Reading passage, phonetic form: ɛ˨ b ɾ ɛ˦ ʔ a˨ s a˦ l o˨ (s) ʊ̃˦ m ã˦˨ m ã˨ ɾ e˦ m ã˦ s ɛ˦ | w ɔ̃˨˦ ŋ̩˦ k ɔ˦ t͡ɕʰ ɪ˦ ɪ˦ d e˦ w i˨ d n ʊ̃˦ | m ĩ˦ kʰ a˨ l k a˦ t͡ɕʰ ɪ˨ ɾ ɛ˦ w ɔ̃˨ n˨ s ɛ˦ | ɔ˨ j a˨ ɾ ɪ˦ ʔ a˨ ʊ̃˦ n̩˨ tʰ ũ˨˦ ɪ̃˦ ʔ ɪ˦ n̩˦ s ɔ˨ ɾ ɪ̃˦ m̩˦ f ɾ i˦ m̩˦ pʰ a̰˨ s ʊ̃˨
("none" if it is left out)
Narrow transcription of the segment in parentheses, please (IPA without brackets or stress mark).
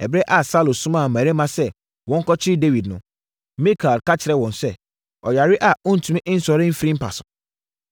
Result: s